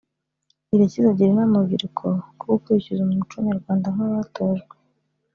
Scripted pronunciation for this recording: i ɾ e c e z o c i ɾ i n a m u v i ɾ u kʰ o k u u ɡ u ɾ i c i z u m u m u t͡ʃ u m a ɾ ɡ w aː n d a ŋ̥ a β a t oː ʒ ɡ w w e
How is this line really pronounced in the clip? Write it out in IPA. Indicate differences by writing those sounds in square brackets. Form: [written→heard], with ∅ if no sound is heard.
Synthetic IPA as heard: i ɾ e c [e→i] z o [c→ɟ] i ɾ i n a m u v i ɾ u kʰ o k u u [ɡ→k] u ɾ i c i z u m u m u t͡ʃ u [m→ɲ] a ɾ ɡ w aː n d a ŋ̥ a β a t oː ʒ ɡ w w e